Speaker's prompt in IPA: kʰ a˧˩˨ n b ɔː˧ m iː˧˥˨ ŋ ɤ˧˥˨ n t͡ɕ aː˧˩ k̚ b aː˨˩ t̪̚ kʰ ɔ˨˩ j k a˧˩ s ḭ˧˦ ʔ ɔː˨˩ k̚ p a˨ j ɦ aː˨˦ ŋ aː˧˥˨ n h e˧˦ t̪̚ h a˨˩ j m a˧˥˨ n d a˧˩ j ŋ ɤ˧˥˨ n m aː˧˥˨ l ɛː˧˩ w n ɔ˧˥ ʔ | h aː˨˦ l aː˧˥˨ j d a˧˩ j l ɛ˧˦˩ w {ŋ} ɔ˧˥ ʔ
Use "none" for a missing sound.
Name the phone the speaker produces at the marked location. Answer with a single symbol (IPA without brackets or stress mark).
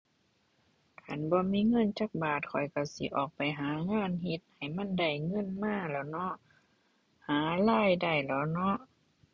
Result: n